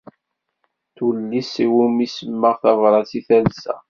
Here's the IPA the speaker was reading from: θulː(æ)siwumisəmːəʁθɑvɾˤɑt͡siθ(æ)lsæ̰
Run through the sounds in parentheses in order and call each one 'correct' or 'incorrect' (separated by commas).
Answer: incorrect, correct